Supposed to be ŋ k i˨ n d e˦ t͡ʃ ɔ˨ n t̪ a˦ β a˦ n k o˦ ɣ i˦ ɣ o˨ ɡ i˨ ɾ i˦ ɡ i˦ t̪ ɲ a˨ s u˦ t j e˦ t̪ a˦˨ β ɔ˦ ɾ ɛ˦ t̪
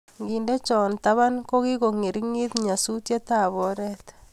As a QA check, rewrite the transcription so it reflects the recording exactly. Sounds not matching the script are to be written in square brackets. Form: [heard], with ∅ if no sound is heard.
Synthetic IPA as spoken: ŋ [ɡ] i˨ n d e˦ t͡ʃ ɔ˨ n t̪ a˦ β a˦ n k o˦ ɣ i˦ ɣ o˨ [ŋ] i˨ ɾ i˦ [ŋ] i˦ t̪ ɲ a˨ s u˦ t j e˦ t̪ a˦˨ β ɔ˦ ɾ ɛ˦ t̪

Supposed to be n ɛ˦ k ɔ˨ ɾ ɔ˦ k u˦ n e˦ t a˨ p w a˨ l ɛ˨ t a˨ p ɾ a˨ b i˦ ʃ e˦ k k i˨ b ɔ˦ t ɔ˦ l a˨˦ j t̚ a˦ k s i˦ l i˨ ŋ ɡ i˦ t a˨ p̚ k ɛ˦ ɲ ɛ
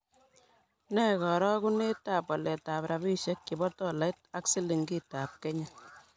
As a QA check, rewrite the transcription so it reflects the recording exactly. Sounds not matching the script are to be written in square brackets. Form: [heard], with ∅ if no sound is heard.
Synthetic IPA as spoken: n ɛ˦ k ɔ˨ ɾ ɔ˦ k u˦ n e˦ t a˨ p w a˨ l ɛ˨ t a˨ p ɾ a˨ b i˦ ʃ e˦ k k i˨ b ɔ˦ t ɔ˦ l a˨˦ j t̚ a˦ k s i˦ l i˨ ŋ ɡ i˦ t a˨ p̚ k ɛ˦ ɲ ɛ

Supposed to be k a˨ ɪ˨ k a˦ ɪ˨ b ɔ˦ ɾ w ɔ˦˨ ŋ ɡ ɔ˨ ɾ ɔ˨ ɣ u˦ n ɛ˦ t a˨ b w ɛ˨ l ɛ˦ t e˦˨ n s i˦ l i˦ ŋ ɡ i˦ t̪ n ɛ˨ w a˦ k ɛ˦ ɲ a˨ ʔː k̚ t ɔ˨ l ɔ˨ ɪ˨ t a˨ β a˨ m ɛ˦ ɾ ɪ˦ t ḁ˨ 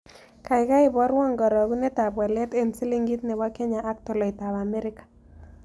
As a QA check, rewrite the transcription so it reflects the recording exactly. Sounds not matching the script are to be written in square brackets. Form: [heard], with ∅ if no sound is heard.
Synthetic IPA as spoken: k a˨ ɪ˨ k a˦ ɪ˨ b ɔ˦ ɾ w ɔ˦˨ ŋ ɡ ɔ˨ ɾ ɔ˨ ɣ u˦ n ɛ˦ t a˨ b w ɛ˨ l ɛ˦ t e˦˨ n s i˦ l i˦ ŋ ɡ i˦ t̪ n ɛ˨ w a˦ k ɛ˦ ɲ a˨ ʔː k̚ t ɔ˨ l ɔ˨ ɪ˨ t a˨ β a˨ m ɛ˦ ɾ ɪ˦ [k] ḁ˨

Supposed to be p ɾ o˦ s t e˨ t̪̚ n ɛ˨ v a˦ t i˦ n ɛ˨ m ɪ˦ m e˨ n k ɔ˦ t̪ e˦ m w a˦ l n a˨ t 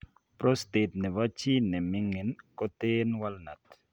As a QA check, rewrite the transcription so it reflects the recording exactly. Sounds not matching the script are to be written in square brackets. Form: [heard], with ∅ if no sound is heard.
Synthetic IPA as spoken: p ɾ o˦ s t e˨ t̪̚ n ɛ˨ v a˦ [t͡ʃ] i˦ n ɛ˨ m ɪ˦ [ŋ] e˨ n k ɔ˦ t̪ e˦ [n] w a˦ l n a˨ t

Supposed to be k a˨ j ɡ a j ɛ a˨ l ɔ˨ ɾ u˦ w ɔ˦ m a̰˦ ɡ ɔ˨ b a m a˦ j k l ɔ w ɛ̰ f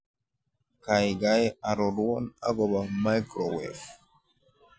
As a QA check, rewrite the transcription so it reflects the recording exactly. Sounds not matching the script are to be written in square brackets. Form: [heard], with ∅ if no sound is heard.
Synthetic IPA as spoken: k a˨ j ɡ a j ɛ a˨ [ɾ] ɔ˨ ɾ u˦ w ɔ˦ [n] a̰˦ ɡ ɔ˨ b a m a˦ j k [ɾ] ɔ w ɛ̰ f

